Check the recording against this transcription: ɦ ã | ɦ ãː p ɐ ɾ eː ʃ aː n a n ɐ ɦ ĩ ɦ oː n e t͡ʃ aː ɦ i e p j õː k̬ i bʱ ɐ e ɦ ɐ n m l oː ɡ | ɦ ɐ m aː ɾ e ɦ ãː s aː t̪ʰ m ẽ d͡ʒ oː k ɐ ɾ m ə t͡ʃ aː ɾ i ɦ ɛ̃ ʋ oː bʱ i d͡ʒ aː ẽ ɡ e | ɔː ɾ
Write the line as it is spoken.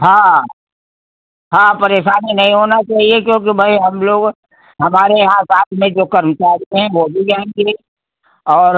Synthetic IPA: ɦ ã | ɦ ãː p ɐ ɾ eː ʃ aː n i n ɐ ɦ ĩ ɦ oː n a t͡ʃ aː ɦ i e k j õː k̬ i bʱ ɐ i ɦ ɐ m l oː ɡ | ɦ ɐ m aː ɾ e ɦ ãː s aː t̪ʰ m ẽ d͡ʒ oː k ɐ ɾ m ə t͡ʃ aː ɾ i ɦ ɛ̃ ʋ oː bʱ i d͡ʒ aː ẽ ɡ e | ɔː ɾ